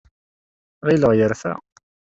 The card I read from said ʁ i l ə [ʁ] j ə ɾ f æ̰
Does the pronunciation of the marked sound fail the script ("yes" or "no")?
no